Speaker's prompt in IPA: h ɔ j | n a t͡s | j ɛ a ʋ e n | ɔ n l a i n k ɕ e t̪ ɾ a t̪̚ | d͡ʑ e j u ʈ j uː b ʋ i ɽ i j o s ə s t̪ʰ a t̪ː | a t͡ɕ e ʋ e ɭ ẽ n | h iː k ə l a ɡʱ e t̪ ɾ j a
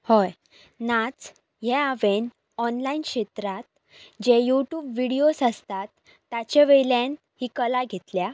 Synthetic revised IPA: h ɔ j | n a t͡s | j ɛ a ʋ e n | ɔ n l a i n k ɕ e t̪ ɾ a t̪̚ | d͡ʑ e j u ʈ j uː b ʋ i ɽ i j o s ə s t̪ a t̪ː | a t͡ɕ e ʋ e l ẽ n | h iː k ə l a ɡʱ e t̪ l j a

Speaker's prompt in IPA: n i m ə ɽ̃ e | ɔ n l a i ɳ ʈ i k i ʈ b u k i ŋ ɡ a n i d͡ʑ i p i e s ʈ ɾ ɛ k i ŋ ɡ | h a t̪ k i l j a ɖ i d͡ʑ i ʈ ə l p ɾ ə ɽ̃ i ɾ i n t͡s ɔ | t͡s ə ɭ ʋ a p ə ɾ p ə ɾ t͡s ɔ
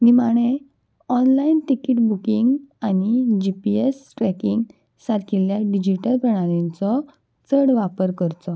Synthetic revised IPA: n i m a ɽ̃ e | ɔ n l a i n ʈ i k i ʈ b u k i ŋ ɡ a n i d͡ʑ i p i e s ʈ ɾ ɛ k i ŋ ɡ | s a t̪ k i l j a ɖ i d͡ʑ i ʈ ə l p ɾ ə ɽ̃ a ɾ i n t͡s ɔ | t͡s ə ɽ ʋ a p ə ɾ k ə ɾ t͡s ɔ

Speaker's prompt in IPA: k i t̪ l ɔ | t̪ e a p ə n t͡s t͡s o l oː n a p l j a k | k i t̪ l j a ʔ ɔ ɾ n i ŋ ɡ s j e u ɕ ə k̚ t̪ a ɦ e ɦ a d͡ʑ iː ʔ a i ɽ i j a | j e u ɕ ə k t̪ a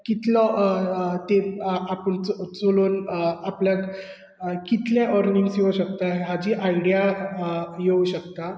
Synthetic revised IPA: k i t̪ l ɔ | t̪ e a p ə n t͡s t͡s o l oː n a p l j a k | k i t̪ l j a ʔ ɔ ɾ n i ŋ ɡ s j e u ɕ ə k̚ t̪ a ɦ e ɦ a d͡ʑ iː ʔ a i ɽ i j a | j e u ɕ ə k t̪ a

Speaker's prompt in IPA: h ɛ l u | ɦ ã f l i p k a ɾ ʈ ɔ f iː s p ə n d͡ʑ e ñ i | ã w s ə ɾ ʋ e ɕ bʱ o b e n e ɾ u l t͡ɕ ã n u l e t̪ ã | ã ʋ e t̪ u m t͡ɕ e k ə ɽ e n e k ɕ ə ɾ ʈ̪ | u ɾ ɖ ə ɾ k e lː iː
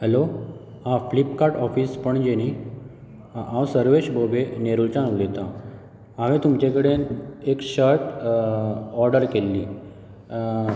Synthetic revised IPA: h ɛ l o | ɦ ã f l i p k a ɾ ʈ ɔ f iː s p ə ɳ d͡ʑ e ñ i | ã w s ə ɾ ʋ e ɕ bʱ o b e n e ɾ u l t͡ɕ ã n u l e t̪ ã | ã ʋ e t̪ u m t͡ɕ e k ə ɽ e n e k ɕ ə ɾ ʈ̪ | ɔ ɾ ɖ ə ɾ k e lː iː

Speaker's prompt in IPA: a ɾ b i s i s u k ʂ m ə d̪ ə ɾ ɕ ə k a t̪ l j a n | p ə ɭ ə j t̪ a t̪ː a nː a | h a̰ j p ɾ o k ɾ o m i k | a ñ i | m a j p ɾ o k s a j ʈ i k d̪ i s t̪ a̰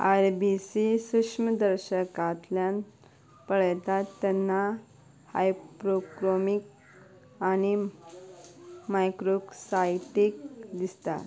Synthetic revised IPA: a ɾ b i s i s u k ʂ m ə d̪ ə ɾ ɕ ə k a t̪ l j a n | p ə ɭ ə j t̪ a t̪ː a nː a | h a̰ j p ɾ o k ɾ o m i k | a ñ i | m a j k ɾ o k s a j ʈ i k d̪ i s t̪ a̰

